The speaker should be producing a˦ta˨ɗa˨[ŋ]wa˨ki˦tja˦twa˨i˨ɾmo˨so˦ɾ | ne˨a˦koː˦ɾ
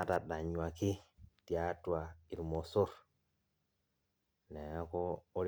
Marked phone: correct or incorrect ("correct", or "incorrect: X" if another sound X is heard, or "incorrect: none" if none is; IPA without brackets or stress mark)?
incorrect: ɲ